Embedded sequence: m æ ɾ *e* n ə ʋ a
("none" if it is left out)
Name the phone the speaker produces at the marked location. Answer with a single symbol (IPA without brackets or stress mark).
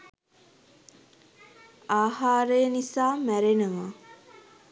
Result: e